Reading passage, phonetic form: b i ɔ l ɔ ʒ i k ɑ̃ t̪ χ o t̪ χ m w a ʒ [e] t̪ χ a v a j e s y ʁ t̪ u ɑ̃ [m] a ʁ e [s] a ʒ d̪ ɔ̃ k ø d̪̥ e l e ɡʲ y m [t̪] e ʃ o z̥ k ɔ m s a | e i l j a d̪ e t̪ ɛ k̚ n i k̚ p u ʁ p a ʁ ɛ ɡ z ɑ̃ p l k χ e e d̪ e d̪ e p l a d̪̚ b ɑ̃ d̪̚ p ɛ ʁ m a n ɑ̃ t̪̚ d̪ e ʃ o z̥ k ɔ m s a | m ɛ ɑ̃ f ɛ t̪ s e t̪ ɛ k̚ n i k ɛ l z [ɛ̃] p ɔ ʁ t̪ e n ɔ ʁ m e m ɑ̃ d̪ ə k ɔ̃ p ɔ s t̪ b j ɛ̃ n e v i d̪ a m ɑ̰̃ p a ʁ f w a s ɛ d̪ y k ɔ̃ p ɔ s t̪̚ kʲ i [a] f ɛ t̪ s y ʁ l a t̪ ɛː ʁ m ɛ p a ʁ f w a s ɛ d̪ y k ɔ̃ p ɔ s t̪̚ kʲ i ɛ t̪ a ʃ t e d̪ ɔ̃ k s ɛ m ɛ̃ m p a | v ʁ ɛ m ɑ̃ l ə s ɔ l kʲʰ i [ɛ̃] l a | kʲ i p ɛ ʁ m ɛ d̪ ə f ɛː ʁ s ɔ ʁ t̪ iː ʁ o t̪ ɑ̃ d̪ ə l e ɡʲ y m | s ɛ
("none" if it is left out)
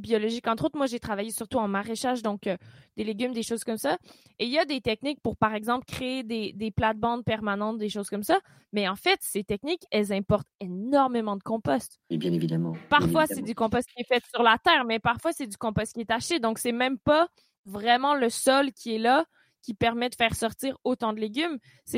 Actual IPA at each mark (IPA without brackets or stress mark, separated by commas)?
e, m, ʃ, d̪, ɛ̃, ɛ, ɛ